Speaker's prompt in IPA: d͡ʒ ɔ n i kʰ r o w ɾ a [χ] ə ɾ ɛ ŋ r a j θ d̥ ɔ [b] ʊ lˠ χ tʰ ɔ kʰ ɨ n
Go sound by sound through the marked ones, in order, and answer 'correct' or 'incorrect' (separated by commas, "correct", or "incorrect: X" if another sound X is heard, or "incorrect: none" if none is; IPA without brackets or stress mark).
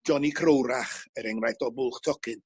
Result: correct, correct